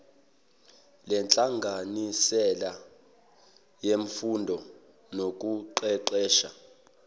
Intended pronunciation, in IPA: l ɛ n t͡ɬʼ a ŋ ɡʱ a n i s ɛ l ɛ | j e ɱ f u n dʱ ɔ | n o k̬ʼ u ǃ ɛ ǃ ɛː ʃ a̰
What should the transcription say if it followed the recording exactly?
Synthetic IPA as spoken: l ɛ n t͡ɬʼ a ŋ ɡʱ a n i s ɛ l a | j e ɱ f u n dʱ ɔ | n o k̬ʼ u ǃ ɛ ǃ ɛː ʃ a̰